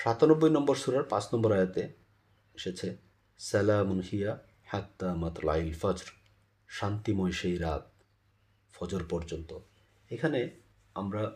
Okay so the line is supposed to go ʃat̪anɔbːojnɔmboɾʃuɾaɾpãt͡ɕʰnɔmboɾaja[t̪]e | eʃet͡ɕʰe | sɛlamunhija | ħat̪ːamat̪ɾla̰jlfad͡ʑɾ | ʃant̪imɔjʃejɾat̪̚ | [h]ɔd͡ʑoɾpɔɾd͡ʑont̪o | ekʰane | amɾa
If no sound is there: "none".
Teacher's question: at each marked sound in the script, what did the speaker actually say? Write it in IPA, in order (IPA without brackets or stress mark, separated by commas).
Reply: t̪, f